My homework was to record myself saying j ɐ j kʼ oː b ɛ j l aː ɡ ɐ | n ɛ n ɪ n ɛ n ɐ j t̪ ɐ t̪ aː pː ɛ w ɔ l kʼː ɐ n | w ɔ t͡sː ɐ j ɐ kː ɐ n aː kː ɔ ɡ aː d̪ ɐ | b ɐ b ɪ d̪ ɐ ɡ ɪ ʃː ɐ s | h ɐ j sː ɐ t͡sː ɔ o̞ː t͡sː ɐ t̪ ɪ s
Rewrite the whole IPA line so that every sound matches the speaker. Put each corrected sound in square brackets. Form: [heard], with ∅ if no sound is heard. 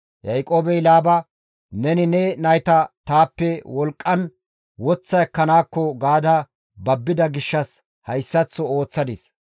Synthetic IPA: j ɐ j kʼ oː b ɛ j l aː [b] ɐ | n ɛ n ɪ n ɛ n ɐ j t̪ ɐ t̪ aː pː ɛ w ɔ l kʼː ɐ n | w ɔ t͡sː ɐ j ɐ kː ɐ n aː kː ɔ ɡ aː d̪ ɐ | b ɐ [bː] ɪ d̪ ɐ ɡ ɪ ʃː ɐ s | h ɐ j sː ɐ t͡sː ɔ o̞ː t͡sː ɐ [d̪] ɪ s